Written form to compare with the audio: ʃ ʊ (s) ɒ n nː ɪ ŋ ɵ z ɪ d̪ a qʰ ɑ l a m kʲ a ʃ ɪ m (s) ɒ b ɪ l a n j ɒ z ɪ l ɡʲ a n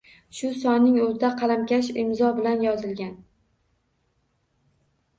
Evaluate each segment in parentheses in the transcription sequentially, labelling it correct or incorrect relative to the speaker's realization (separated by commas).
correct, incorrect